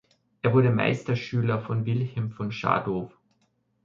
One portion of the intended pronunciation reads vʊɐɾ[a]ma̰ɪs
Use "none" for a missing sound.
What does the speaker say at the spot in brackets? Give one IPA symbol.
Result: ə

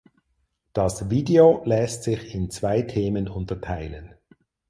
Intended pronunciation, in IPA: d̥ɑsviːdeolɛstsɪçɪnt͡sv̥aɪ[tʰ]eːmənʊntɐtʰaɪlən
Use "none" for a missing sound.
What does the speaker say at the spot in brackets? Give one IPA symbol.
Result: tʰ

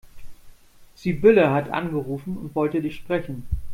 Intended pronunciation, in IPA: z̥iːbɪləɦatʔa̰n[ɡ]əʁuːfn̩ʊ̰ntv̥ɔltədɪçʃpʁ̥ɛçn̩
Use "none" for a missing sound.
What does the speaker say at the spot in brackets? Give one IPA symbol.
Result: ɡ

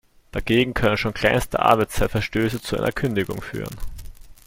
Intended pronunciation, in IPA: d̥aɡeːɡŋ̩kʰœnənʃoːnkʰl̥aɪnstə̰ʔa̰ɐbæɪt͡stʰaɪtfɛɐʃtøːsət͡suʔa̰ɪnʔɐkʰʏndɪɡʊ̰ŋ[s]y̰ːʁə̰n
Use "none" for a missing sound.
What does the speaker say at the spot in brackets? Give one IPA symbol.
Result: f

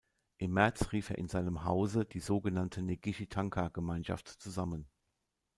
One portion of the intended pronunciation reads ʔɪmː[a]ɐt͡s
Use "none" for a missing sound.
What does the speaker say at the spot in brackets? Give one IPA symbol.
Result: ɛ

